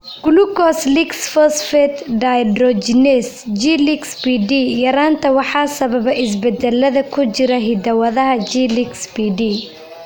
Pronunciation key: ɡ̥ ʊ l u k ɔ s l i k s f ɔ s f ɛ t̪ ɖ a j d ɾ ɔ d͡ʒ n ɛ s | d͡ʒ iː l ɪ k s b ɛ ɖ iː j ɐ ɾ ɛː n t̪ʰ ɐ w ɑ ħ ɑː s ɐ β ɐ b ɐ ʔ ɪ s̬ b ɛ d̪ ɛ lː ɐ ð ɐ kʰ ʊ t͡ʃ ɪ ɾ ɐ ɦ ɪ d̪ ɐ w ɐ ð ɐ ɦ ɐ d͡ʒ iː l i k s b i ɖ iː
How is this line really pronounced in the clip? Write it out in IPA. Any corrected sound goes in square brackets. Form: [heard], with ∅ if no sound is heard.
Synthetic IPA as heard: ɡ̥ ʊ l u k ɔ s l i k s f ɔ s f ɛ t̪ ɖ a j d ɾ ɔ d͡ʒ n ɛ s | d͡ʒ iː l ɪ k s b [i] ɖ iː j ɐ ɾ [aː] n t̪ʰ ɐ w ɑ ħ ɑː s ɐ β ɐ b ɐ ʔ ɪ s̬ b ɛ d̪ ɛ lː ɐ ð ɐ kʰ ʊ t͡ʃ ɪ ɾ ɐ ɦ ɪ d̪ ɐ w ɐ ð ɐ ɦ ɐ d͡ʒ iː l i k s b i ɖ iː